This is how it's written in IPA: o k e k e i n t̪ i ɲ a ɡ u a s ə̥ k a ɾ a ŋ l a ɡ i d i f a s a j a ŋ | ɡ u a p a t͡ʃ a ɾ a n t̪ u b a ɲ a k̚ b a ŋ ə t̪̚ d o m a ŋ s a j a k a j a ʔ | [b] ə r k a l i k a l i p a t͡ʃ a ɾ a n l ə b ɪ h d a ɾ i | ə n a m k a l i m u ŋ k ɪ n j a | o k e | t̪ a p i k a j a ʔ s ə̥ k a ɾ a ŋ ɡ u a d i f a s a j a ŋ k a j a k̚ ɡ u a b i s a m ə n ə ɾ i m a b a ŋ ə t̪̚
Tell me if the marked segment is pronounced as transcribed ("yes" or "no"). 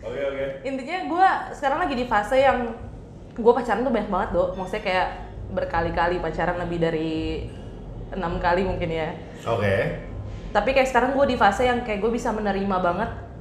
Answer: yes